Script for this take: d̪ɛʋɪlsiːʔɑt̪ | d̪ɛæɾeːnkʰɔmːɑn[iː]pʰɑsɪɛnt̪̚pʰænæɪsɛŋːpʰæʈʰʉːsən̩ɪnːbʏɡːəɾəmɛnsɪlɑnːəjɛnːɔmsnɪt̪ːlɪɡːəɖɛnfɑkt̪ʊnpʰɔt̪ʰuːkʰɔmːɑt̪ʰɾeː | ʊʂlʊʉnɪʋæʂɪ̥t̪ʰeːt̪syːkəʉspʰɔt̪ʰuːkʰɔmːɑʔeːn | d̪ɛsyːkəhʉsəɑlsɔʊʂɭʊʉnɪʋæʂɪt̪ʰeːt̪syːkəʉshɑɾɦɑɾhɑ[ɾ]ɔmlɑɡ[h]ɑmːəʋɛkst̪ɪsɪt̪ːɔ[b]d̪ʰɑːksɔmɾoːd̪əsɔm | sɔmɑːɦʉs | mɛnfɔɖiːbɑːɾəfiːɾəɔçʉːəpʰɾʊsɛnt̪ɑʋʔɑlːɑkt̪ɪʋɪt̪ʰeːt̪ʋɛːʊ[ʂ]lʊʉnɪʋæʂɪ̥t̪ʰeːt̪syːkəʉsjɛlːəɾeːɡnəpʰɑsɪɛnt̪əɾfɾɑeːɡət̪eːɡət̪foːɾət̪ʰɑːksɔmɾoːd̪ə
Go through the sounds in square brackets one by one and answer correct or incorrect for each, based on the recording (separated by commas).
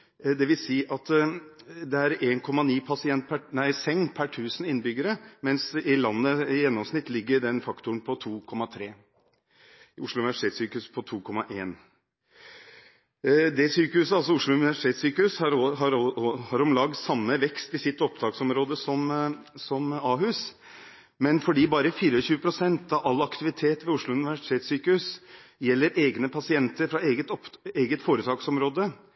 correct, correct, incorrect, incorrect, correct